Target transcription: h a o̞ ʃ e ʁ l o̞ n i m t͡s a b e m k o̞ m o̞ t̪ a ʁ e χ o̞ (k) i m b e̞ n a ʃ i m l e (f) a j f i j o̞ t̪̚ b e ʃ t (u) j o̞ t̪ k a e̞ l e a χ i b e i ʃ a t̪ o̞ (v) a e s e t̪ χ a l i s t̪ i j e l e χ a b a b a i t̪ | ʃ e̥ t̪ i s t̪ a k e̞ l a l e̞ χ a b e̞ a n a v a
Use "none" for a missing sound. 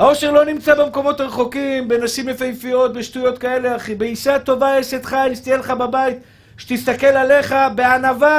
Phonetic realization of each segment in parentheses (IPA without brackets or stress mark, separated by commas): k, f, u, v